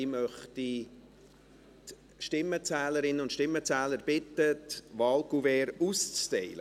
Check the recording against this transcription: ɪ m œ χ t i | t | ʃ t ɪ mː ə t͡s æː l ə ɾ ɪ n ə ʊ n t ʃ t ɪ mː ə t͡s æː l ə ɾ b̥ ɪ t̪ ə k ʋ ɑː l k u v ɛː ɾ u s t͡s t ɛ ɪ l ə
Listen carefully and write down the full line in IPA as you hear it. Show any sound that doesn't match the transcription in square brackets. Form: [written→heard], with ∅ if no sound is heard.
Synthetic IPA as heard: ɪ m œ χ t i | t | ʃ t ɪ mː ə t͡s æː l ə ɾ ɪ n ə ʊ n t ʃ t ɪ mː ə t͡s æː l ə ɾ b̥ ɪ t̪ ə [k→t] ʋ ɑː l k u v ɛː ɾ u s t͡s t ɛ ɪ l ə